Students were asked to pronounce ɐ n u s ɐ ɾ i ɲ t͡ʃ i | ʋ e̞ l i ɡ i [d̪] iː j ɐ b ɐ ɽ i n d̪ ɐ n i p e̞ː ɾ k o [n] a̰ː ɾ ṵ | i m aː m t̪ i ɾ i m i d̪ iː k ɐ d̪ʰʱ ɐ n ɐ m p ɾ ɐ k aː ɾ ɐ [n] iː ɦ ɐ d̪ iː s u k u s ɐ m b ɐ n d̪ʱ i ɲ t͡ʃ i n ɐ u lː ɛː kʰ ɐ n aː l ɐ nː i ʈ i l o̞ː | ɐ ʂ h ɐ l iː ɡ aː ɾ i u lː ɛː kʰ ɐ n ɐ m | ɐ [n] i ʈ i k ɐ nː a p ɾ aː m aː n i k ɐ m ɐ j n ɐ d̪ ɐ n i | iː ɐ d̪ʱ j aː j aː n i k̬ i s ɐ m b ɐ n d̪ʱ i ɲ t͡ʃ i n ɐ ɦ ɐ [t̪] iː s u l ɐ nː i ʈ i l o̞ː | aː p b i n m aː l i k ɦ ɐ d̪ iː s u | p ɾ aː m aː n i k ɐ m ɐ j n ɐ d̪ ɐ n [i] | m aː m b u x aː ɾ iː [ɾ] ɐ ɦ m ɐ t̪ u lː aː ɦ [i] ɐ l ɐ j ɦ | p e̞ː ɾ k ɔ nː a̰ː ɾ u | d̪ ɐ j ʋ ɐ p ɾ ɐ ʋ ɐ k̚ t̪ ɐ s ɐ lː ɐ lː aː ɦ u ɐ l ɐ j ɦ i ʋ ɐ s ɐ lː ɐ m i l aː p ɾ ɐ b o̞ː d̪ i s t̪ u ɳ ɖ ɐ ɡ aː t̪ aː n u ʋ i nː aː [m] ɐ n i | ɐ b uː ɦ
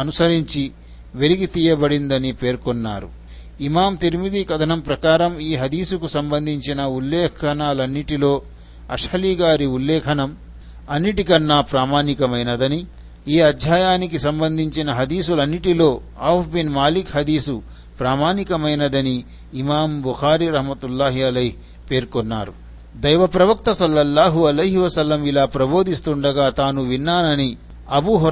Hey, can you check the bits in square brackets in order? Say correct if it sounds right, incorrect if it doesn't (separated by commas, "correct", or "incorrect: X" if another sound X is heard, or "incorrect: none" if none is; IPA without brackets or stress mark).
incorrect: t̪, incorrect: nː, incorrect: m, incorrect: nː, incorrect: d̪, incorrect: iː, correct, correct, incorrect: n